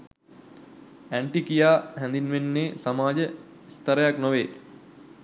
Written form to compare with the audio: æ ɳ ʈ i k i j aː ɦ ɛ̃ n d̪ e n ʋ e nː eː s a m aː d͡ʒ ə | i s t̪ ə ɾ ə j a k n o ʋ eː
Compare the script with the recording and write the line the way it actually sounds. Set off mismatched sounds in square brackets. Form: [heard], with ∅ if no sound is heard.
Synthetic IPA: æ ɳ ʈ i k i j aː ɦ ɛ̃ n d̪ [i] n ʋ e nː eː s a m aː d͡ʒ ə | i s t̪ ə ɾ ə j a k n o ʋ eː